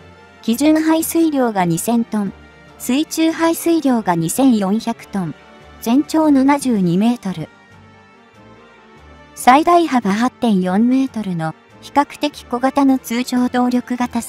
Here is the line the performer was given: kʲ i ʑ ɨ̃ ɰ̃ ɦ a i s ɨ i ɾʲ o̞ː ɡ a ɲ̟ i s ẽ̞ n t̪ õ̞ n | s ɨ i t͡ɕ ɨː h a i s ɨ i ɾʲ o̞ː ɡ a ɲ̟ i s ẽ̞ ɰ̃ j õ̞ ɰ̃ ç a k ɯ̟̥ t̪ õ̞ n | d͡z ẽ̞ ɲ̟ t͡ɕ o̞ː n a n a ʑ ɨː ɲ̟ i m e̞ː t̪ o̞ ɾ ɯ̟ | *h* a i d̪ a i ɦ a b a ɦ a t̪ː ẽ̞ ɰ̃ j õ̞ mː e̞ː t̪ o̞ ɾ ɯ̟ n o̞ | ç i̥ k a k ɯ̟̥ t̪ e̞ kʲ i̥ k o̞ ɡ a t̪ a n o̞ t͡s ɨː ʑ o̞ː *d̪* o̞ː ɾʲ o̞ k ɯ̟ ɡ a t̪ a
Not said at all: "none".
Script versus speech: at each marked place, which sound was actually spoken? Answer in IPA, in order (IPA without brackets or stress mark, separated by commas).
s, d̪